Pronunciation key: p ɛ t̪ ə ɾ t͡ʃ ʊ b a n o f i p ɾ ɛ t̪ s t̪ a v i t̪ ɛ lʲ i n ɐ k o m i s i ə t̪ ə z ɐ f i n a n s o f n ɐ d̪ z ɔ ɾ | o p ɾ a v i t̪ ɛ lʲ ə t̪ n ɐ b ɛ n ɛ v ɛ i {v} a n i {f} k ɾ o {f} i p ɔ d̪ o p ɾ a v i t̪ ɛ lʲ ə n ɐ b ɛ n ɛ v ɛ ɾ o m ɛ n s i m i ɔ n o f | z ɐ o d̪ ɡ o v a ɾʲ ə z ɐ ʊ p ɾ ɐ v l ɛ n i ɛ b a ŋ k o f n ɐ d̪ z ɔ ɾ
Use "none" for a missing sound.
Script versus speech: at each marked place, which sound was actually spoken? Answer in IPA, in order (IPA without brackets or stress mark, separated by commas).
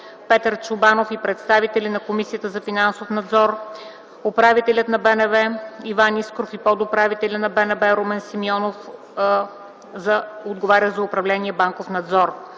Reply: v, s, f